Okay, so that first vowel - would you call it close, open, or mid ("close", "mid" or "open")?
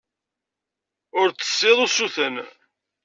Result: close